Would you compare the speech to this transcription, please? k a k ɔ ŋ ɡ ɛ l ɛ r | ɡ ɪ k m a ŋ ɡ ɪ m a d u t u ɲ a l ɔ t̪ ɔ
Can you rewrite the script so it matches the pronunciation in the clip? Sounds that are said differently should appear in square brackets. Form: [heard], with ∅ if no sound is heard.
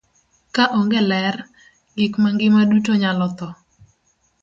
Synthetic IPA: k a [ʔ] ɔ ŋ ɡ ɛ l ɛ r | ɡ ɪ k m a ŋ ɡ ɪ m a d u t [o] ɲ a l ɔ t̪ ɔ